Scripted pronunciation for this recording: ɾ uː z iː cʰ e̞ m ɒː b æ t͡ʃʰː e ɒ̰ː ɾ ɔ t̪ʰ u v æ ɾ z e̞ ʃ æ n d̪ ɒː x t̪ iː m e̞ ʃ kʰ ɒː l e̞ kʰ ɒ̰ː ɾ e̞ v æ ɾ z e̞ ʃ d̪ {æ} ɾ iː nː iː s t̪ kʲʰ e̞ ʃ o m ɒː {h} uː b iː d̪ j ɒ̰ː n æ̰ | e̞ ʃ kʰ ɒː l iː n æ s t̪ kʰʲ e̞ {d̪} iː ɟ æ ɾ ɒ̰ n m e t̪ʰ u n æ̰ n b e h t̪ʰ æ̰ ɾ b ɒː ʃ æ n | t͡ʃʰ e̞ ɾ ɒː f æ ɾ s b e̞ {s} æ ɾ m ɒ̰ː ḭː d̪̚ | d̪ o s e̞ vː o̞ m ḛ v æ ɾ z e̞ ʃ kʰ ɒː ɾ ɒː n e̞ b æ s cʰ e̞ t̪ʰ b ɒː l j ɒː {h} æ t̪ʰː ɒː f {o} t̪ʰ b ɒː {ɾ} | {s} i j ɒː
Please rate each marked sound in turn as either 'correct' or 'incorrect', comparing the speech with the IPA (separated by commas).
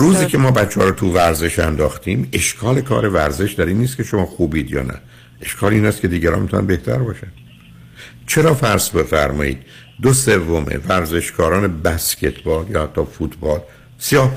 correct, incorrect, correct, incorrect, correct, incorrect, incorrect, correct